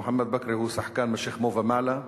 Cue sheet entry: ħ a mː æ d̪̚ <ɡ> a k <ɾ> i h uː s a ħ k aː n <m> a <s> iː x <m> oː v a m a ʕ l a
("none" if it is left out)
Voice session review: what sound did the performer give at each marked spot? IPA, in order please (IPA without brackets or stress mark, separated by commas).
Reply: b, ɾ, m, ʃ, m